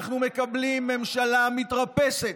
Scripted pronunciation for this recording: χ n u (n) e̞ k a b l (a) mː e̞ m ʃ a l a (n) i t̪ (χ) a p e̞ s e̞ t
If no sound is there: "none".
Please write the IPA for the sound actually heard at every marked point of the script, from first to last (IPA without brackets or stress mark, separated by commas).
m, i, m, ʁ